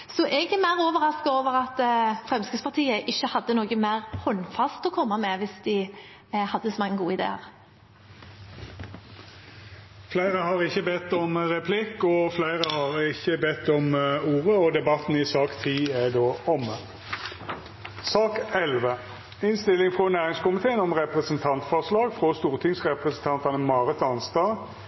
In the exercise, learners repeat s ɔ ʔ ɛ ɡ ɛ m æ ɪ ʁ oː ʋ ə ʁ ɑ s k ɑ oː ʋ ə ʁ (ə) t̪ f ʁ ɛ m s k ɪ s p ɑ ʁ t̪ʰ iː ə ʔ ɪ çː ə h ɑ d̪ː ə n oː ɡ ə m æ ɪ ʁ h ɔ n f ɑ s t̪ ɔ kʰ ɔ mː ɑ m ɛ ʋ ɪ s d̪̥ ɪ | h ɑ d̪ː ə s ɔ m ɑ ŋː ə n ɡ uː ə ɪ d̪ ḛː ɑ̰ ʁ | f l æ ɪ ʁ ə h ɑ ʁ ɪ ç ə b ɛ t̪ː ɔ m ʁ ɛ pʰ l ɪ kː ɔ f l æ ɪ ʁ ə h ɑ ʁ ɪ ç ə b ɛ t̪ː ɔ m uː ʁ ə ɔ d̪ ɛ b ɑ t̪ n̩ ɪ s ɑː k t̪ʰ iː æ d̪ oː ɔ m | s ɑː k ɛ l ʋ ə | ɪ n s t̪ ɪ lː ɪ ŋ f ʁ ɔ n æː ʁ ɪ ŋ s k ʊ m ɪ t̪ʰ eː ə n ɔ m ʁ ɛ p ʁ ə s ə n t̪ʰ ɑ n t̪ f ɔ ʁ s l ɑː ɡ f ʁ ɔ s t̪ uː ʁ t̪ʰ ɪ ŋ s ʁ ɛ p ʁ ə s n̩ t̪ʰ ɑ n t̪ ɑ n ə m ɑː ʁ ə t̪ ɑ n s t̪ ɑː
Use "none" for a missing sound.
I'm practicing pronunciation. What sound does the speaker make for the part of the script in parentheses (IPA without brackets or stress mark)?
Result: ɑ